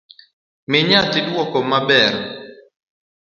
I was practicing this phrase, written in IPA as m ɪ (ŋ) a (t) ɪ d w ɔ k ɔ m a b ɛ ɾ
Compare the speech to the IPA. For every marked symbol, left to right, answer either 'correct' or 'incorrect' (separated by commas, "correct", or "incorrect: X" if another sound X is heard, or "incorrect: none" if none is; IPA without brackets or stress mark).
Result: incorrect: ɲ, correct